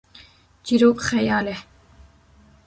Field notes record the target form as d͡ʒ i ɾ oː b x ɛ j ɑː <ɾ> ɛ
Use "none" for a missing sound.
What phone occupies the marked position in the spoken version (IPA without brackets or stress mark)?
l